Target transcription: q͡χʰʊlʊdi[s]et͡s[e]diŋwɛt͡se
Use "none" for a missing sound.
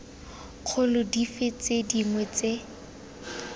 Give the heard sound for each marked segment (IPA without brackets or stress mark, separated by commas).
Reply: f, e